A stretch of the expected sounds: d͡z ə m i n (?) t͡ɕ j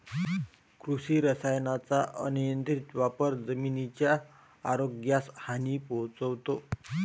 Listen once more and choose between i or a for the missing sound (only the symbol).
i